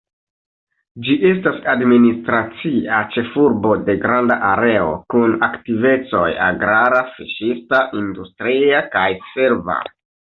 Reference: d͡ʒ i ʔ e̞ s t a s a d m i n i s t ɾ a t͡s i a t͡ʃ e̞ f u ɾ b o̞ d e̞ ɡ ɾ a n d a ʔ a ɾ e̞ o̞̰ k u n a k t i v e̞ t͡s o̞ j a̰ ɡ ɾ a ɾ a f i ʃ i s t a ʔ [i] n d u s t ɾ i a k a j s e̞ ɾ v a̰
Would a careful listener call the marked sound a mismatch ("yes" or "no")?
no